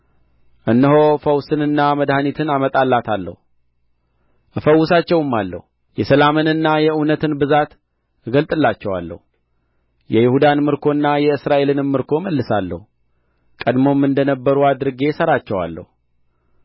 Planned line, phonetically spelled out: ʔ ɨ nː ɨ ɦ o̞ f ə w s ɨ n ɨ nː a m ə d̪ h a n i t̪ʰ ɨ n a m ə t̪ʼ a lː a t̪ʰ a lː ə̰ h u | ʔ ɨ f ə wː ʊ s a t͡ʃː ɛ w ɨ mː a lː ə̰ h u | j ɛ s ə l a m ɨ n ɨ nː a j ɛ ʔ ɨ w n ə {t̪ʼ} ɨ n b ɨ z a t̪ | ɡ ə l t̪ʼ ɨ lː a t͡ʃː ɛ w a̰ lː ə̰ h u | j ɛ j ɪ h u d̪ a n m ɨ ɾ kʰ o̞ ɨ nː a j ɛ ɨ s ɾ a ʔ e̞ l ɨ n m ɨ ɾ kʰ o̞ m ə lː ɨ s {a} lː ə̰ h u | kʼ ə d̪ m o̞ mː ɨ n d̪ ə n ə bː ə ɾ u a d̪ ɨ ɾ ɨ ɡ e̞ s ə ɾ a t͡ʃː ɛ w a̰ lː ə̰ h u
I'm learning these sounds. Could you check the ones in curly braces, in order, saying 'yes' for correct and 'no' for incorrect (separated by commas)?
no, yes